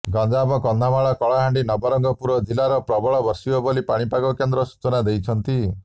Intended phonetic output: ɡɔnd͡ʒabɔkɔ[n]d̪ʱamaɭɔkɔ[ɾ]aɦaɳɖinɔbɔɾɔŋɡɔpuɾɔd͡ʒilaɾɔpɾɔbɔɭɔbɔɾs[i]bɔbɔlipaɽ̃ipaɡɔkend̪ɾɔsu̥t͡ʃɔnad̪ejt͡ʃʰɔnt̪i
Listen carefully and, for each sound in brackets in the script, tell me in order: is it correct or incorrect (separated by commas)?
correct, incorrect, correct